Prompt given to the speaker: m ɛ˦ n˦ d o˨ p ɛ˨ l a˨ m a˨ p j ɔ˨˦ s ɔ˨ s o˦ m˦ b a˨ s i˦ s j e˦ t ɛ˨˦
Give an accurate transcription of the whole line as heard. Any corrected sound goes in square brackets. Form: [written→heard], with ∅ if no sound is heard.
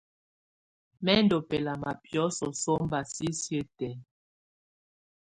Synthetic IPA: m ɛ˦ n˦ d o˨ p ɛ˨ l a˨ m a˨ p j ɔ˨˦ s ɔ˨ s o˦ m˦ b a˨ s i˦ s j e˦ t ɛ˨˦